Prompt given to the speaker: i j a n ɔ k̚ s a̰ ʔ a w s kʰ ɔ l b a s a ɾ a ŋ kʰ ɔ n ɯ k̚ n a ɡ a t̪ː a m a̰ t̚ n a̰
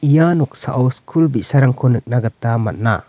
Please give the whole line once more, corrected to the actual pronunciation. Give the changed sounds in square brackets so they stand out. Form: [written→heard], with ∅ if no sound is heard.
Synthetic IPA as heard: i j a n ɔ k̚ s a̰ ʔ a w s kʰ [ɔ→u] l b [a→i] s a ɾ a ŋ kʰ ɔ n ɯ k̚ n a ɡ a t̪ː a m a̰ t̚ n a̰